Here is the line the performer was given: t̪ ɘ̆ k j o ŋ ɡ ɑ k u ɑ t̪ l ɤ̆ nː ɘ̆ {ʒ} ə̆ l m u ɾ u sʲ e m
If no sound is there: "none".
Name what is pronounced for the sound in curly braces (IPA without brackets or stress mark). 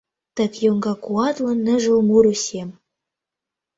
ʒ